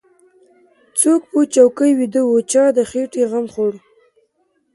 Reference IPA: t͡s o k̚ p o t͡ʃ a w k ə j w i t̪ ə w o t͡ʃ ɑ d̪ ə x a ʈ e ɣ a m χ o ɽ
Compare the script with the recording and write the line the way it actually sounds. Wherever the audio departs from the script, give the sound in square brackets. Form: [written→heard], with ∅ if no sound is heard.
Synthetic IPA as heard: t͡s o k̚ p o t͡ʃ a w k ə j w i [t̪→d̪] ə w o t͡ʃ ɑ d̪ ə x [a→e] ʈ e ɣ a m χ o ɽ